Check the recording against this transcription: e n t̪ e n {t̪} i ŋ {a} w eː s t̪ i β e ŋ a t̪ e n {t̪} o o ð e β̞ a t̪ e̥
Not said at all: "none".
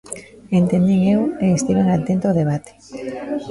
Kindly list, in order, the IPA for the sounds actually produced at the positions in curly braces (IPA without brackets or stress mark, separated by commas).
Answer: d̪, e, t̪